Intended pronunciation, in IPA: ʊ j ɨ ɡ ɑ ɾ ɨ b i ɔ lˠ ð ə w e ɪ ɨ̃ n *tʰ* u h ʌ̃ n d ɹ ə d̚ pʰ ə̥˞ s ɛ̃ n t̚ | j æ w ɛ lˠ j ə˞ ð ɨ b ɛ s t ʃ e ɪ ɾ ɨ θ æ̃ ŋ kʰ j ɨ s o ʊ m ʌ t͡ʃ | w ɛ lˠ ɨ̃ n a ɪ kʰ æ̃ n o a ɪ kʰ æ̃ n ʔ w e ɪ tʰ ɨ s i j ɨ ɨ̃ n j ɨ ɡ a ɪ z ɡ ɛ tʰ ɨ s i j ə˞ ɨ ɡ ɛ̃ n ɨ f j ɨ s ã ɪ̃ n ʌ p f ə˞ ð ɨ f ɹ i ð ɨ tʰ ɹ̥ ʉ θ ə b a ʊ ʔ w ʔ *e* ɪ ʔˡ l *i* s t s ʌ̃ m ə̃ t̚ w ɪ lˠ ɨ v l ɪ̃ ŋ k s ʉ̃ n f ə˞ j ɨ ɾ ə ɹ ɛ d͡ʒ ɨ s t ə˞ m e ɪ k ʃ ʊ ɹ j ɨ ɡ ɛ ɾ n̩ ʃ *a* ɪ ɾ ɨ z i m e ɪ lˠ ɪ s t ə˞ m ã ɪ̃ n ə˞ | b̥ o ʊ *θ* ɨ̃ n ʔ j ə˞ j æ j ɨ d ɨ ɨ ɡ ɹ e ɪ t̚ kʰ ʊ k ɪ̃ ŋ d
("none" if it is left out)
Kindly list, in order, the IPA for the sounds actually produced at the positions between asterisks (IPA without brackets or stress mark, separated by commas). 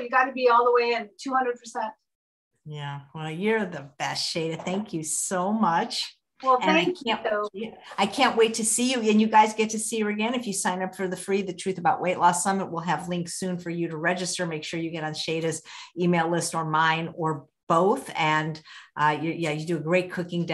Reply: tʰ, e, æ, e, θ